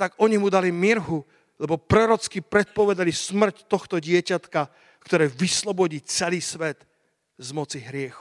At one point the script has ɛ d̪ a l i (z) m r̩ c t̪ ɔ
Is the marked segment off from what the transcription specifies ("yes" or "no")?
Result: yes